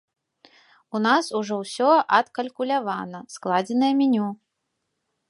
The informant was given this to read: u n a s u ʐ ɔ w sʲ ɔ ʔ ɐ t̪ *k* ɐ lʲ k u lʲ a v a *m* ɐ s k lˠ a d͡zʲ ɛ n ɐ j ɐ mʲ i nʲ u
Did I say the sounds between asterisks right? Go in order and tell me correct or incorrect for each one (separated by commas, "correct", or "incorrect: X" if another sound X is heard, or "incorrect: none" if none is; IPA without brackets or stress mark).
correct, incorrect: n